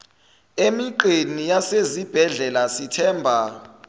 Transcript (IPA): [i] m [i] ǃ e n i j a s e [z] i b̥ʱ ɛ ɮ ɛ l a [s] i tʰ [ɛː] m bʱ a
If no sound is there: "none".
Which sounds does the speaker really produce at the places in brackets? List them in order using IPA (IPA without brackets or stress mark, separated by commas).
e, i, z, s, ɛː